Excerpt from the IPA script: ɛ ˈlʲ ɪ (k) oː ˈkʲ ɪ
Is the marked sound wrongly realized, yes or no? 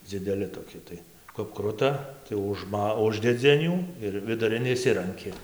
yes